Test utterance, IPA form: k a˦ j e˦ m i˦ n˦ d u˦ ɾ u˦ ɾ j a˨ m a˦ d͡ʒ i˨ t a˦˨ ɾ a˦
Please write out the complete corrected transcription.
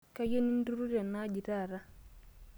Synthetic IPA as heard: k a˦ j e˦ n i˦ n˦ d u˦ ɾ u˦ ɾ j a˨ n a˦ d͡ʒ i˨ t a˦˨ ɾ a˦